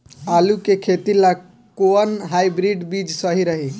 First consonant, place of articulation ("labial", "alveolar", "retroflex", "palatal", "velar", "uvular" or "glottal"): alveolar